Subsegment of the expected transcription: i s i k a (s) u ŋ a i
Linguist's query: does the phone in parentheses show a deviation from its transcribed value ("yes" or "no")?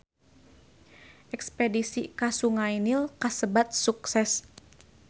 no